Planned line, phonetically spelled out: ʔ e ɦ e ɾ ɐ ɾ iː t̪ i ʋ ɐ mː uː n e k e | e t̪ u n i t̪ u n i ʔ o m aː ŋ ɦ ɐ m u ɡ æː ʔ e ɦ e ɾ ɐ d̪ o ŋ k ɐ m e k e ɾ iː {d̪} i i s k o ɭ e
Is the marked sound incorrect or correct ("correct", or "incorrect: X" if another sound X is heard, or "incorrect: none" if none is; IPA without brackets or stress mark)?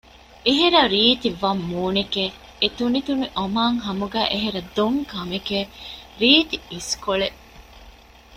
incorrect: t̪